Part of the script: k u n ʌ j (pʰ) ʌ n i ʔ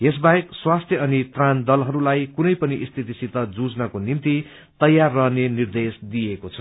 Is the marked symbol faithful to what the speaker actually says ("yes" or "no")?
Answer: no